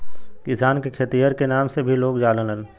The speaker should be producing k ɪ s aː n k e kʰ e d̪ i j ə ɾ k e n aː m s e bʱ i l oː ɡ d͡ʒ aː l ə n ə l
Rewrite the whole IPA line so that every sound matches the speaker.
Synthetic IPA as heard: k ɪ s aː n k e kʰ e t̪ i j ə ɾ k e n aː m s e bʱ i l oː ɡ d͡ʒ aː l ə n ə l